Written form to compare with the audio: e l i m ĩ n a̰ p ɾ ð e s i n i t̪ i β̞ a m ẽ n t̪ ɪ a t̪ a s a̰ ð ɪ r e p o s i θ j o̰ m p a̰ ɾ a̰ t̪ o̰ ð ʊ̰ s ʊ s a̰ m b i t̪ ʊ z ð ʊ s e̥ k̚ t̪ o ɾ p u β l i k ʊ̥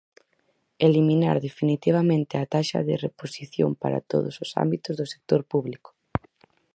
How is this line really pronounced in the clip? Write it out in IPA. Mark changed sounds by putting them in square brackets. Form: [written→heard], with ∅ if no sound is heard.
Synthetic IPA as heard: e l i m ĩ n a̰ [p→∅] ɾ ð e [s→f] i n i t̪ i β̞ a m ẽ n t̪ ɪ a t̪ a [s→ʃ] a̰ ð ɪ r e p o s i θ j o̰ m p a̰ ɾ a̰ t̪ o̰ ð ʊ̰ s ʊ s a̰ m b i t̪ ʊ z ð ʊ s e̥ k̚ t̪ o ɾ p u β l i k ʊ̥